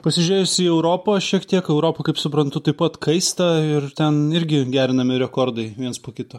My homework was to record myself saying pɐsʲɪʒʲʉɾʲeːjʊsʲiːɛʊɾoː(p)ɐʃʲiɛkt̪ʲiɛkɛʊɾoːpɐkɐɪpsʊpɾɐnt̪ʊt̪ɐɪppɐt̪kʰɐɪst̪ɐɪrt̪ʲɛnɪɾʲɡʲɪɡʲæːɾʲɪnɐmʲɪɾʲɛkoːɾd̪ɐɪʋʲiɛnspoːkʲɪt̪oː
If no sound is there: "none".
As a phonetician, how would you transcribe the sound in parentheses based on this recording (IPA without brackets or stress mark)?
p